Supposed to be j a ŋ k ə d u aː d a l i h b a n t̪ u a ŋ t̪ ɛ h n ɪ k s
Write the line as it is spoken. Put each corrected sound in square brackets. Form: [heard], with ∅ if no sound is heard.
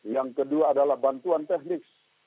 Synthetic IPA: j a ŋ k ə d u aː d a l [a] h b a n t̪ u a [n] t̪ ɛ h n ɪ k s